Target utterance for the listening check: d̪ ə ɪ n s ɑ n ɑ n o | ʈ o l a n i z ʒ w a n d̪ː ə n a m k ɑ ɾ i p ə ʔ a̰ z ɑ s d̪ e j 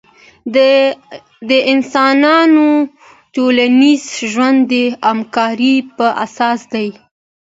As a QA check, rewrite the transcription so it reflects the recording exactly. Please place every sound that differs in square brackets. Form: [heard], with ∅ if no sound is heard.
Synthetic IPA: d̪ ə ɪ n s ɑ n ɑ n o | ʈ o l a n i z ʒ w a n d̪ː ə [∅] a m k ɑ ɾ i p ə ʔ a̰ [s] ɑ s d̪ [a] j